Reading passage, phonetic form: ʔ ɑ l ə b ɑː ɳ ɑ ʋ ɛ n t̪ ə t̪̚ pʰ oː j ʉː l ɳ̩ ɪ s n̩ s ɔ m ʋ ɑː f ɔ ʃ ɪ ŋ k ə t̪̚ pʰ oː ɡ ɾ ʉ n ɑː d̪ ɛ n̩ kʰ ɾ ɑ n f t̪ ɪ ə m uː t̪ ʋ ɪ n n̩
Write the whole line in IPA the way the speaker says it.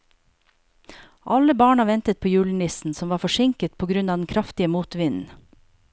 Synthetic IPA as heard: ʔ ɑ l ə b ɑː ɳ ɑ ʋ ɛ n t̪ ə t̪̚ pʰ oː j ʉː l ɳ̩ ɪ s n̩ s ɔ m ʋ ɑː f ɔ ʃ ɪ ŋ k ə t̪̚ pʰ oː ɡ ɾ ʉ n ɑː d̪ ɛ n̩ kʰ ɾ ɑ f t̪ ɪ ə m uː t̪ ʋ ɪ n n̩